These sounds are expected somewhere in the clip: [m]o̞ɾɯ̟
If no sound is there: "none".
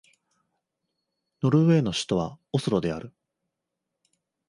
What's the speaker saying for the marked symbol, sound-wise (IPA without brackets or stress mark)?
n